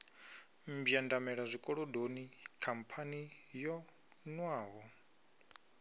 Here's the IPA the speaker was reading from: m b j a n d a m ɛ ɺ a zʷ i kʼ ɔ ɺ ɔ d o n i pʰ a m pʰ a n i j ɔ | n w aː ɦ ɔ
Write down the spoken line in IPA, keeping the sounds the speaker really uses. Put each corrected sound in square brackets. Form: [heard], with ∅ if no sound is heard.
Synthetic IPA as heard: m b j a n d a m ɛ ɺ a zʷ i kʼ ɔ ɺ ɔ d o n i [kʰ] a m pʰ a n i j ɔ | n w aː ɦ ɔ